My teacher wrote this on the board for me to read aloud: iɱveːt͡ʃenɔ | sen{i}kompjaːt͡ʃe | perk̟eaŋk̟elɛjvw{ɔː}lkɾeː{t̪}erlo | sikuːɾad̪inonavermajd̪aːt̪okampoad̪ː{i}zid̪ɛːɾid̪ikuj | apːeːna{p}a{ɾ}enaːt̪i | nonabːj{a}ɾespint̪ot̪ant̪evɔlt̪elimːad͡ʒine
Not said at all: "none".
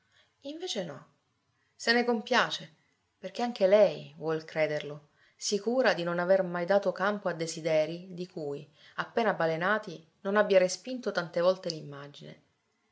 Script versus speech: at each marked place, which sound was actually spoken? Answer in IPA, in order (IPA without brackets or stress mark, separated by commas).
e, ɔ, d̪, e, b, l, a